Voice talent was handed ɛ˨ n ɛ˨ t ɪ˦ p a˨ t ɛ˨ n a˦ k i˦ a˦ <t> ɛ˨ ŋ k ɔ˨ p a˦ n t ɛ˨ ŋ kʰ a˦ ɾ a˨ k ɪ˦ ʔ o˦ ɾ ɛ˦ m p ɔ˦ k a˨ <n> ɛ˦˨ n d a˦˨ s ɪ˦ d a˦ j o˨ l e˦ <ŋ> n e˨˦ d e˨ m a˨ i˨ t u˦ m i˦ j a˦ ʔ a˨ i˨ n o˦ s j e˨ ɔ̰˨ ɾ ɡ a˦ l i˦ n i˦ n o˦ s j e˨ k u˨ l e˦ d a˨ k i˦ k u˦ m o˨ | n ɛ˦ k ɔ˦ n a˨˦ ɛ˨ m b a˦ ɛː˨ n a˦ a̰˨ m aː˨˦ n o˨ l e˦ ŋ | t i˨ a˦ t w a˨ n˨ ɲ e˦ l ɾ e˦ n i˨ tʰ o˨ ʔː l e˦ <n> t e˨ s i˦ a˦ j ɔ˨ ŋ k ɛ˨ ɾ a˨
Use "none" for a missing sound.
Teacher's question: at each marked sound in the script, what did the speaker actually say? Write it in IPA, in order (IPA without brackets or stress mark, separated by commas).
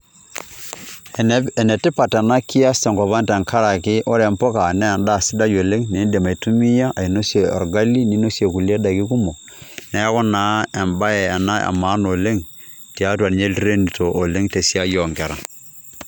s, n, ŋ, ŋ